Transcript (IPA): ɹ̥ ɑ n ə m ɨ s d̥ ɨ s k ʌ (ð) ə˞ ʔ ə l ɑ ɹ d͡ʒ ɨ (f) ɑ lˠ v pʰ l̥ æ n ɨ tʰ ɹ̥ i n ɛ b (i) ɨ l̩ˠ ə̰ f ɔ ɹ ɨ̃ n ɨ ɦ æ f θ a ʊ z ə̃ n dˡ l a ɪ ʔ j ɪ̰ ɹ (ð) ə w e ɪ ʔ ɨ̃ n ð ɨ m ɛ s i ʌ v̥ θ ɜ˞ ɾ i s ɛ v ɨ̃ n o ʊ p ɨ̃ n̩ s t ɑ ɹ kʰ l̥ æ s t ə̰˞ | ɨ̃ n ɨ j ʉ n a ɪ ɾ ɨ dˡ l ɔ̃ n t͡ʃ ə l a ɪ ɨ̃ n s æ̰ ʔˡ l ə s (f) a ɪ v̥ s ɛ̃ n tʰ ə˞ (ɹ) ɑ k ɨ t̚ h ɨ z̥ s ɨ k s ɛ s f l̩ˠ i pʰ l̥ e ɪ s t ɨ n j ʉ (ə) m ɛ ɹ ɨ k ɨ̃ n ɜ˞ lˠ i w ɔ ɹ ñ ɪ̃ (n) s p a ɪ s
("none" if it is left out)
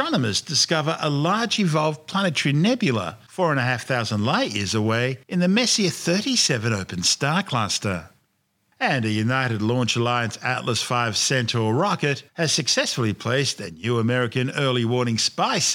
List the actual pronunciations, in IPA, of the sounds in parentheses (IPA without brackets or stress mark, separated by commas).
v, v, j, z, f, ɹ, ə, ŋ